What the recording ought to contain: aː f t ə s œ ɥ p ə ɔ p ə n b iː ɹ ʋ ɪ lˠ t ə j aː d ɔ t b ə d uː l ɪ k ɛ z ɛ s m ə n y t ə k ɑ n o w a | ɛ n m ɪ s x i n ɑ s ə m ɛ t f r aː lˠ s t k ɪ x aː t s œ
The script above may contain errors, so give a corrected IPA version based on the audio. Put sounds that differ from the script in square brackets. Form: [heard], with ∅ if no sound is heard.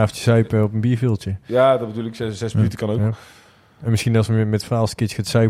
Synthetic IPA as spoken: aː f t ə s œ ɥ p ə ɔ p ə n b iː ɹ [v] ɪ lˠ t ə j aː d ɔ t b ə d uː l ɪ k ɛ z ɛ s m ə n y t ə k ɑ n o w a | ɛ n m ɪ s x i n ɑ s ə m ɛ t f r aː lˠ s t k ɪ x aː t s œ